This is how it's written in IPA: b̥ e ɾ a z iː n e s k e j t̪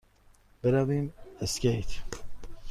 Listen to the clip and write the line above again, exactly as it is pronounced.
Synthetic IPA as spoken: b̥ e ɾ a v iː m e s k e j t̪